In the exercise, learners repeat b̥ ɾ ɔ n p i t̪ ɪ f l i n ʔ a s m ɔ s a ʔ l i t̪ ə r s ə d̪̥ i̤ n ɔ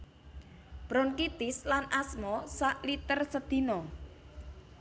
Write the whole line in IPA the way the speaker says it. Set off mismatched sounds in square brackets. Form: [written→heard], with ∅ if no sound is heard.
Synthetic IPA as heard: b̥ ɾ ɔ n [p→k] i t̪ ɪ [f→s] l [i→a] n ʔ a s m ɔ s a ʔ l i t̪ ə r s ə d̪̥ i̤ n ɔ

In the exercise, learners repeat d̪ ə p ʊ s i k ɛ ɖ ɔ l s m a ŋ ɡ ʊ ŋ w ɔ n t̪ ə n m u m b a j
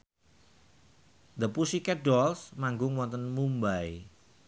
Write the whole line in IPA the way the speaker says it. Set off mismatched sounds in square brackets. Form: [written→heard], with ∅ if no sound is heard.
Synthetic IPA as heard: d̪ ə p [ʊ→u] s i k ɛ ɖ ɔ l s m a ŋ ɡ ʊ ŋ w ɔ n t̪ ə n m u m b a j

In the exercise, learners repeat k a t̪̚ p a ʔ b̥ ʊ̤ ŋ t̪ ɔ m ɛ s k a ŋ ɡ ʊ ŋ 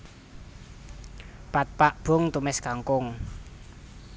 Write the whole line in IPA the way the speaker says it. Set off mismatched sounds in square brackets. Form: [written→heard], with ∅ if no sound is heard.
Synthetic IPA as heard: [k→p] a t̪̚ p a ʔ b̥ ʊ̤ ŋ t̪ [ɔ→u] m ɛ s k a ŋ [ɡ→k] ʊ ŋ

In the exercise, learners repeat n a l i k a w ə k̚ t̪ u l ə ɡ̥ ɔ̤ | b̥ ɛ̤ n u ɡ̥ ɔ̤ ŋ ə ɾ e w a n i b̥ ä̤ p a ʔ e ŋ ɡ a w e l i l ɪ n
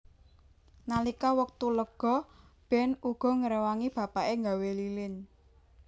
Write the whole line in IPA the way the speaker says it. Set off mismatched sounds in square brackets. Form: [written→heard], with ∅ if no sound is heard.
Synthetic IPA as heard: n a l i k a w ə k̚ t̪ u l ə ɡ̥ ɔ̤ | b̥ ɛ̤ n u ɡ̥ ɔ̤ ŋ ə ɾ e w a [n→ŋ] i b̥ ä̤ p a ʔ e ŋ ɡ a w e l i l ɪ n

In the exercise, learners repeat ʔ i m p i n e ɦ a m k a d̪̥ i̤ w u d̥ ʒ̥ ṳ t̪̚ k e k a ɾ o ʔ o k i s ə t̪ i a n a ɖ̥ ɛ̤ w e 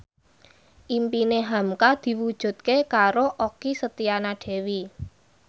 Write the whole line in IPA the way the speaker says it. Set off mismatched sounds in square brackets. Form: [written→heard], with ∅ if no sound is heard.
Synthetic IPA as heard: ʔ i m p i n e ɦ a m k a d̪̥ i̤ w u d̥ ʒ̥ ṳ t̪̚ k e k a ɾ o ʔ o k i s ə t̪ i a n a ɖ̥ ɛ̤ w [e→i]

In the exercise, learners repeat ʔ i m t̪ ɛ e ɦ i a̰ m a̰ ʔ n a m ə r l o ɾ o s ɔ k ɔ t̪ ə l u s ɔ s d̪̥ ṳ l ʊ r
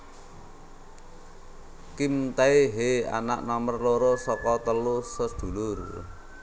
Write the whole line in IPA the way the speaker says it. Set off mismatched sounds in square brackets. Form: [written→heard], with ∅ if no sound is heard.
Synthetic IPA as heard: [ʔ→k] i m t̪ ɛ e ɦ [i→e] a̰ [m→n] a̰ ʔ n a m ə r l o ɾ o s ɔ k ɔ t̪ ə l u s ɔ s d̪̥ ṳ l ʊ r

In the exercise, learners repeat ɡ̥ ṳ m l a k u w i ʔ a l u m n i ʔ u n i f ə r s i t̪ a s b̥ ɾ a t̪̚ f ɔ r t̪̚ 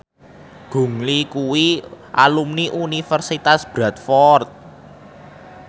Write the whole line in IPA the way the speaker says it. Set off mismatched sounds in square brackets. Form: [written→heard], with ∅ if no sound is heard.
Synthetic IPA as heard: ɡ̥ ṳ [m→ŋ] l [a→i] k u w i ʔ a l u m n i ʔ u n i f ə r s i t̪ a s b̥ ɾ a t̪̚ f ɔ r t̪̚

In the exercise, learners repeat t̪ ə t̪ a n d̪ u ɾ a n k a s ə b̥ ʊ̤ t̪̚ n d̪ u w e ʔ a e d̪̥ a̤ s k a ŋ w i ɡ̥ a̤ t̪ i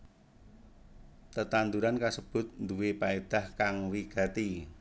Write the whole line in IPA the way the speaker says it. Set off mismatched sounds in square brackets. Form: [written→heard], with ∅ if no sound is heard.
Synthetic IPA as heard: t̪ ə t̪ a n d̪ u ɾ a n k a s ə b̥ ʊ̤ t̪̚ n d̪ u w e [ʔ→p] a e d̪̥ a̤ [s→h] k a ŋ w i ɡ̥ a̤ t̪ i

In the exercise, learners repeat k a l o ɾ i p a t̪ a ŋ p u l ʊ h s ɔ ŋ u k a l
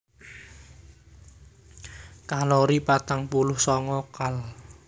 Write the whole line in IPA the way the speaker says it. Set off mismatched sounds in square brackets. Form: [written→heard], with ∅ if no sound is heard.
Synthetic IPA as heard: k a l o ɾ i p a t̪ a ŋ p u l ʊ h s ɔ ŋ [u→ɔ] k a l

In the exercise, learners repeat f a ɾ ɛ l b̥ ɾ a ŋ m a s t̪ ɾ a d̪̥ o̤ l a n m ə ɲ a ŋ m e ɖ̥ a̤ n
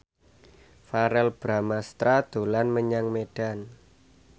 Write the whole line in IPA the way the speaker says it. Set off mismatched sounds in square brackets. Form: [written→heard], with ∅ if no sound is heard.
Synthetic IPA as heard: f a ɾ ɛ l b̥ ɾ a [ŋ→∅] m a s t̪ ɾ a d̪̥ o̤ l a n m ə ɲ a ŋ m e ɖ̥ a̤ n

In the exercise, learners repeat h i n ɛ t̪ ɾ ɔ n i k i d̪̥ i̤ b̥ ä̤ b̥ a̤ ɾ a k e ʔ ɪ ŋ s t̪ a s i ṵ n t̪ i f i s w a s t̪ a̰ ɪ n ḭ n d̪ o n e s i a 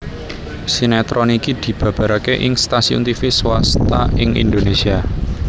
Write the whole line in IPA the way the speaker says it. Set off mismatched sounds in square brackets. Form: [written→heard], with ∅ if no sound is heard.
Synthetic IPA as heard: [h→s] i n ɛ t̪ ɾ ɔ n i k i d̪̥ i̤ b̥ ä̤ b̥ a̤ ɾ a k e ʔ ɪ ŋ s t̪ a s i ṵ n t̪ i f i s w a s t̪ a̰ ɪ [n→ŋ] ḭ n d̪ o n e s i a

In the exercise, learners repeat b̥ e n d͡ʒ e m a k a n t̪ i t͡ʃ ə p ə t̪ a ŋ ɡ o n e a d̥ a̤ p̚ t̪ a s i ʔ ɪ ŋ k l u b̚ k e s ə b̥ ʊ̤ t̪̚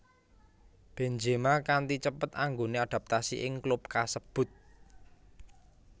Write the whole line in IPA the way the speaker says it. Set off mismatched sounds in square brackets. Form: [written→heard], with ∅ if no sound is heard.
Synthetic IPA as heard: b̥ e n d͡ʒ e m a k a n t̪ i t͡ʃ ə p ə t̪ a ŋ ɡ o n e a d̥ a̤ p̚ t̪ a s i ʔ ɪ ŋ k l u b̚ k [e→a] s ə b̥ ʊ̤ t̪̚

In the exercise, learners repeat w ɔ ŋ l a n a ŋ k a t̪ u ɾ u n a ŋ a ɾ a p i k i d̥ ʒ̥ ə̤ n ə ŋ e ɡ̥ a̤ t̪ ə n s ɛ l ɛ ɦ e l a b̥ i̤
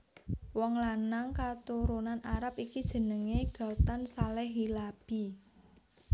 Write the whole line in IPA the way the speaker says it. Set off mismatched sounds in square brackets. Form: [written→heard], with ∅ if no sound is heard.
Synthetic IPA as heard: w ɔ ŋ l a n a ŋ k a t̪ u ɾ u n a [ŋ→n] a ɾ a p i k i d̥ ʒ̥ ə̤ n ə ŋ e ɡ̥ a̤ t̪ [ə→a] n s [ɛ→a] l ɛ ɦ [e→i] l a b̥ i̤

